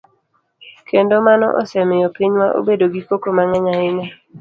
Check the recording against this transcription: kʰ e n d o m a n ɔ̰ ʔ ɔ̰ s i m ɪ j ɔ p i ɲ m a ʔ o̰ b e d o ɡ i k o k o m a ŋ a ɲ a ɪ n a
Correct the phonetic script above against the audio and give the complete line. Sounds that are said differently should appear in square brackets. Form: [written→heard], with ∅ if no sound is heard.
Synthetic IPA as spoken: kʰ e n d o m a n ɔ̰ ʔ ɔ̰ s [i→ɛ] m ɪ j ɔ p i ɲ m a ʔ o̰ b e d o ɡ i k o k o m a ŋ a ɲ a ɪ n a